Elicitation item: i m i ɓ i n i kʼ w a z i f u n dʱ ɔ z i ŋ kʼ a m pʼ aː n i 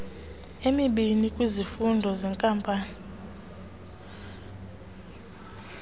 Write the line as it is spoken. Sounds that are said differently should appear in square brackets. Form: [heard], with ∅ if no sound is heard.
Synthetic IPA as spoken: [e] m i ɓ i n i kʼ w [i] z i f u n dʱ ɔ z [ɛ] ŋ kʼ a m pʼ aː n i